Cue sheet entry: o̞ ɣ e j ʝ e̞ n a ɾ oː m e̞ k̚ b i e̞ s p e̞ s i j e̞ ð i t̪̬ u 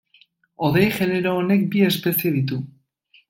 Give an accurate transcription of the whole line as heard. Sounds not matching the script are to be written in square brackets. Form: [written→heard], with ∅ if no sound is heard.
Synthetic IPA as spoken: o̞ [ɣ→ð] e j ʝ e̞ n [a→e] ɾ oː [m→n] e̞ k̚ b i e̞ s p e̞ s i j e̞ ð i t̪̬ u